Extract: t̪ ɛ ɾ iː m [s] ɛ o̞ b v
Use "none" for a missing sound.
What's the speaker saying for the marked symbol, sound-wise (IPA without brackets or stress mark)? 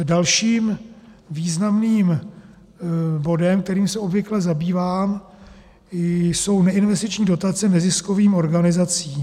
s